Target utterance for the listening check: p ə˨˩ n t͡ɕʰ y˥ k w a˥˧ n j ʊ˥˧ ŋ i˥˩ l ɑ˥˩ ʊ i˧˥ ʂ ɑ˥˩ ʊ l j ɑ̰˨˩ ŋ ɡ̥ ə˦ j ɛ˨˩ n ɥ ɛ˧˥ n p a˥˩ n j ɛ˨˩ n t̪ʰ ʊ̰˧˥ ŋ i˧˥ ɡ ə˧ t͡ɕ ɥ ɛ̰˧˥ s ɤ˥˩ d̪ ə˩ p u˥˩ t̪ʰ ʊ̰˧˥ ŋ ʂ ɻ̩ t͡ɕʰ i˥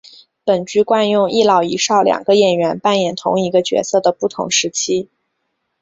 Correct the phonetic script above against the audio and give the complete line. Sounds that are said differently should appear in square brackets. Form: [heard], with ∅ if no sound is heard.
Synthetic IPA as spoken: p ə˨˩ n [t͡ɕ] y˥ k w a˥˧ n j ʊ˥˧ ŋ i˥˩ l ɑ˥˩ ʊ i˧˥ ʂ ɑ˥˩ ʊ l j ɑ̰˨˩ ŋ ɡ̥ ə˦ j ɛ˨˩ n ɥ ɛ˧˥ n p a˥˩ n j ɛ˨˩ n t̪ʰ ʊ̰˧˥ ŋ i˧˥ ɡ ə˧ t͡ɕ ɥ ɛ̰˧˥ s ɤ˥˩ d̪ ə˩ p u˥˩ t̪ʰ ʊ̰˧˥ ŋ ʂ ɻ̩ t͡ɕʰ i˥